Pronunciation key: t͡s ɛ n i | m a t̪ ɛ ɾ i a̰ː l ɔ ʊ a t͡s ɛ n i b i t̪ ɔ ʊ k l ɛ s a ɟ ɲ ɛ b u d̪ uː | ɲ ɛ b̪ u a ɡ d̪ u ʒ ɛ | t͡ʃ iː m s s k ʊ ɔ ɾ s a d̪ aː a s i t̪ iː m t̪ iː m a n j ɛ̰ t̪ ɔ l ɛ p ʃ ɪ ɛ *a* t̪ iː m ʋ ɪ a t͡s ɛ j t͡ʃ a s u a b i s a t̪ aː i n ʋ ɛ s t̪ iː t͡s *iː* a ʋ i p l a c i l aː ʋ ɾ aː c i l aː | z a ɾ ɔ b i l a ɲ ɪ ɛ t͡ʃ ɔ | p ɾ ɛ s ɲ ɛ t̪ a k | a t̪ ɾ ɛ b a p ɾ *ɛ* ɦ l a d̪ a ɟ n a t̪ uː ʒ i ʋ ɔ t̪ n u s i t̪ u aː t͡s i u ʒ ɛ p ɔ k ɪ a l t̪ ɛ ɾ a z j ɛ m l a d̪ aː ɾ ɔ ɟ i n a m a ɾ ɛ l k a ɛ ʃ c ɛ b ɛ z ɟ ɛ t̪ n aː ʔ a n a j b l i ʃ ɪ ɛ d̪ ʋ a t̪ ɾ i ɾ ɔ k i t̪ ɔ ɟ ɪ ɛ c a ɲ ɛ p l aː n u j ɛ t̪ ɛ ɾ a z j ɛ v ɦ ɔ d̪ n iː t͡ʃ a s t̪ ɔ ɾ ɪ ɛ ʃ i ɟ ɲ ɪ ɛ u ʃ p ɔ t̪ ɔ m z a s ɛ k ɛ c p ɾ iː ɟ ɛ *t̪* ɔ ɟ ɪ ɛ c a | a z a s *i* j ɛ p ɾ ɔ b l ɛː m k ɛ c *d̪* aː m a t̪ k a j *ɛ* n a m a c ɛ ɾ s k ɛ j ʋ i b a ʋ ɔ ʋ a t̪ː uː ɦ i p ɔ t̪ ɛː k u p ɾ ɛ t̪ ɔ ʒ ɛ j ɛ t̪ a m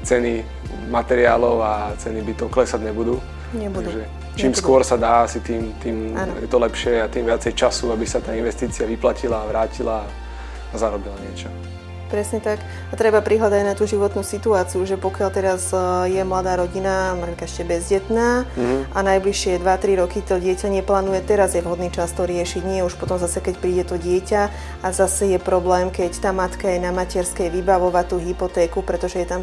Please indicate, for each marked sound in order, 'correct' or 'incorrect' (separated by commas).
correct, incorrect, incorrect, correct, incorrect, incorrect, correct